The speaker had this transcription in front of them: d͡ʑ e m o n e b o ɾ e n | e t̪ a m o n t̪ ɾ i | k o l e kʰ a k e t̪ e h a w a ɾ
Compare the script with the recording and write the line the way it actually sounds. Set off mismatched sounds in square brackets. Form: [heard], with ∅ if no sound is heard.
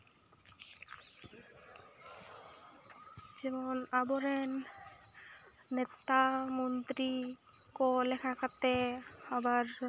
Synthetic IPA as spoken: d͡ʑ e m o n [a] b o ɾ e n | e t̪ a m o n t̪ ɾ i | k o l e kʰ a k [a] t̪ e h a [b] a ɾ